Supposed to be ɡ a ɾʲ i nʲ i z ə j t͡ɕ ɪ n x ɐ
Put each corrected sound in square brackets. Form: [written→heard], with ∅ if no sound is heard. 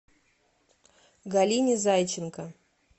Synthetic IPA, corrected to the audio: ɡ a [ɾʲ→lʲ] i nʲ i z [ə→a] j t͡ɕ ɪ n [x→k] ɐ